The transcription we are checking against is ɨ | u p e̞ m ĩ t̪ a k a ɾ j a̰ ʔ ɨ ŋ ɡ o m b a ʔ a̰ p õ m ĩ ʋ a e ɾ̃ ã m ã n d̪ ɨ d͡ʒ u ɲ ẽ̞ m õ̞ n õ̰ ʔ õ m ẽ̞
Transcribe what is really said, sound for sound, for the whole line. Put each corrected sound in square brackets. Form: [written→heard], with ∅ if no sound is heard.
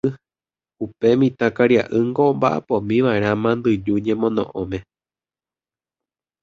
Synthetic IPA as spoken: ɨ | u p e̞ m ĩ t̪ a k a ɾ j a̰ ʔ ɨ ŋ ɡ o m b a ʔ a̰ p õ m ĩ ʋ a e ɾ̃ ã m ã n d̪ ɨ d͡ʒ u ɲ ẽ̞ m õ̞ n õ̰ ʔ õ m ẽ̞